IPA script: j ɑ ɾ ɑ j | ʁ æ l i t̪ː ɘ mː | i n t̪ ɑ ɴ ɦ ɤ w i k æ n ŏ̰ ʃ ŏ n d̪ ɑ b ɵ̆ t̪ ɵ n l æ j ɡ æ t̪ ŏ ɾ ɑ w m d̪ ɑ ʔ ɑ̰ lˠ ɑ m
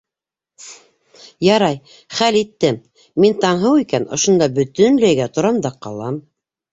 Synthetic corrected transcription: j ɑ ɾ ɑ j | χ æ l i t̪ː ɘ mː | i n t̪ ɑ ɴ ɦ ɤ w i k æ n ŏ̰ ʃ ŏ n d̪ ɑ b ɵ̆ t̪ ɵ n l æ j ɡ æ t̪ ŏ ɾ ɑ m d̪ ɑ q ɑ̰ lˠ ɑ m